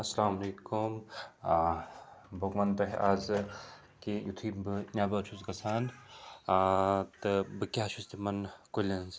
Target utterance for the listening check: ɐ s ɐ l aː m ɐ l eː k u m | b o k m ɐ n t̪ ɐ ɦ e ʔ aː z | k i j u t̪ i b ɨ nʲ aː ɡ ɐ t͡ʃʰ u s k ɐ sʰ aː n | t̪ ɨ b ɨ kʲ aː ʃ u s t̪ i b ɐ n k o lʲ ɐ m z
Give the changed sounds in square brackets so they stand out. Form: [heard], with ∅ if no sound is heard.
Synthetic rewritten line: ɐ s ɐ l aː m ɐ l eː k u m | b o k m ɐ n t̪ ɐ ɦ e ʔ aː z | k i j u [t̪ʰ] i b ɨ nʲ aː [b] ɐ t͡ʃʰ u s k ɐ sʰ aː n | t̪ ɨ b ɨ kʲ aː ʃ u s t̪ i [m] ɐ n k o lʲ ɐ [n] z